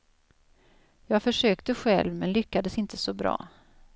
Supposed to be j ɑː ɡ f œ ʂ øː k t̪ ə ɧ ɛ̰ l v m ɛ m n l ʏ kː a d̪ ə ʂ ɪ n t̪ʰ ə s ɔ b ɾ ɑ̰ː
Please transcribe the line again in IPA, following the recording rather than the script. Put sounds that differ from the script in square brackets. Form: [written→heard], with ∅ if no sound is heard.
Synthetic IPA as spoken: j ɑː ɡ f œ ʂ øː k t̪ ə ɧ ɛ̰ l v m ɛ [m→∅] n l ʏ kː a d̪ ə [ʂ→s] ɪ n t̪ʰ ə s ɔ b ɾ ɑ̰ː